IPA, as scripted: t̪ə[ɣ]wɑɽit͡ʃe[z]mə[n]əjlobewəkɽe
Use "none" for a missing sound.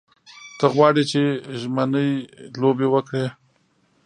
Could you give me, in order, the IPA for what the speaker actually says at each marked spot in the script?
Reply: ɣ, ʒ, n

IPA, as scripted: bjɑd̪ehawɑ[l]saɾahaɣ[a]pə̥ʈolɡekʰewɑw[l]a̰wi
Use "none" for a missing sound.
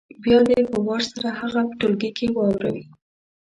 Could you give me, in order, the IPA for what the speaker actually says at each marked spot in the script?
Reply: ɾ, a, ɾ

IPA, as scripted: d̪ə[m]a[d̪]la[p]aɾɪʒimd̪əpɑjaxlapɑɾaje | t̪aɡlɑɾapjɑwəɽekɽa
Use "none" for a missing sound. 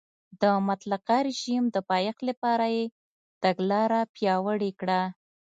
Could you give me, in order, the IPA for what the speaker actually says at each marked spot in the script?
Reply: m, t̪, q

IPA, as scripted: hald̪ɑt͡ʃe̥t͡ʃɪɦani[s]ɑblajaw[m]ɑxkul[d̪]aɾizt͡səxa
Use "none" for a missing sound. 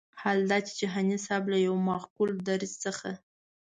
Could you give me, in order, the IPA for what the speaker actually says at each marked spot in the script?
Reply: s, m, d̪

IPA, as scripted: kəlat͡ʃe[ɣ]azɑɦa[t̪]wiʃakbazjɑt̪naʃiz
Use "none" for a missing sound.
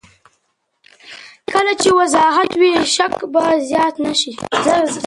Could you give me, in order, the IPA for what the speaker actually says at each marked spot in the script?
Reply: w, t̪

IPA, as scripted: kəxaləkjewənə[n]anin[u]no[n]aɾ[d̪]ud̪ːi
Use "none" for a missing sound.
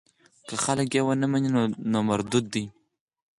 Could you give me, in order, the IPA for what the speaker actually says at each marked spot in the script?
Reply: m, o, m, d̪

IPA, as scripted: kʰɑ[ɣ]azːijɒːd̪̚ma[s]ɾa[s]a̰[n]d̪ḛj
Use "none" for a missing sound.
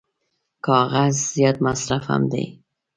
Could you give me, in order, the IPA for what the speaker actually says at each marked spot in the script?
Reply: ɣ, s, f, m

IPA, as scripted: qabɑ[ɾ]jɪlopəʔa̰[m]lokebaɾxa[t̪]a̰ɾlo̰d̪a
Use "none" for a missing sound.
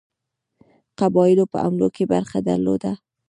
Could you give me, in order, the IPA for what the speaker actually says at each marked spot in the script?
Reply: none, m, d̪

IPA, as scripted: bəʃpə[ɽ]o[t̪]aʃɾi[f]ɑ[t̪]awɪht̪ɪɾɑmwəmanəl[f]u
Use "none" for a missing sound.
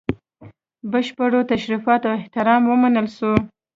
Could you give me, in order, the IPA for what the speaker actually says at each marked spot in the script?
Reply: ɽ, t̪, f, t̪, ʃ

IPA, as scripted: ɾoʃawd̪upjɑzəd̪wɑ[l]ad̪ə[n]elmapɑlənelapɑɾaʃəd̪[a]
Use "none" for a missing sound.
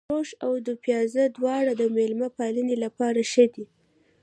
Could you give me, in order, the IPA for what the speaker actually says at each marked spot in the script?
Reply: ɽ, m, i

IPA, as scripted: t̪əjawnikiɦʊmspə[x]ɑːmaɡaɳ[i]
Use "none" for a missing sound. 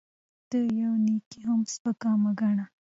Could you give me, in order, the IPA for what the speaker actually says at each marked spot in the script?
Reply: k, a

